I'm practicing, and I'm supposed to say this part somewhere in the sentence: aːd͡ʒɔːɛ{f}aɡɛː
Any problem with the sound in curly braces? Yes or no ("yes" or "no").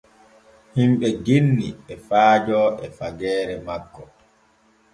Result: no